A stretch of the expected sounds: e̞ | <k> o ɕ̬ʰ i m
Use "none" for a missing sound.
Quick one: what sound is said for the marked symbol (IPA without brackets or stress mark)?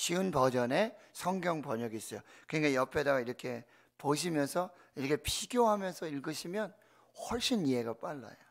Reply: p